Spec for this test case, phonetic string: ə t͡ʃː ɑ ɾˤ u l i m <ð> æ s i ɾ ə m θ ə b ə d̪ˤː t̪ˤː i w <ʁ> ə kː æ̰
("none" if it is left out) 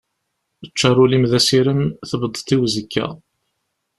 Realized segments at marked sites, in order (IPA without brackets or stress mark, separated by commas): ð, z